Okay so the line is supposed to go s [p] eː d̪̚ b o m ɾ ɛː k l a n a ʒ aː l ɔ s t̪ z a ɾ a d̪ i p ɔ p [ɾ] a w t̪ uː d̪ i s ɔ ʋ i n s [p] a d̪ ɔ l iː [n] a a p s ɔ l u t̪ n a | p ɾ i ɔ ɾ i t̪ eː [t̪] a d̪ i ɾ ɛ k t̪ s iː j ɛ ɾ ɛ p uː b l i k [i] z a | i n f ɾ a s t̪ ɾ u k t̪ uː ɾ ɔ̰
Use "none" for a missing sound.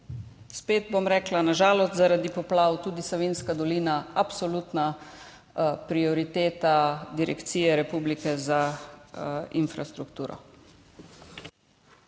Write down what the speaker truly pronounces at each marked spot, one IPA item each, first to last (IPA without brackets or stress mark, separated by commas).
p, l, k, n, t̪, ɛ